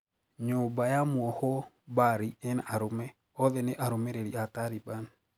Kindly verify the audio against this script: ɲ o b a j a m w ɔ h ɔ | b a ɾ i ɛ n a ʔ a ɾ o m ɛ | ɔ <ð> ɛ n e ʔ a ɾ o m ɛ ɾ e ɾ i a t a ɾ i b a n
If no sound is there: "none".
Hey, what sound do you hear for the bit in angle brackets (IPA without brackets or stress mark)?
ð